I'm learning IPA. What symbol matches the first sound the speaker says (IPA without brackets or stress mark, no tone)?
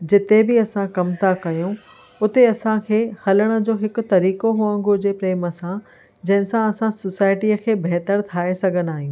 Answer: d͡ʑ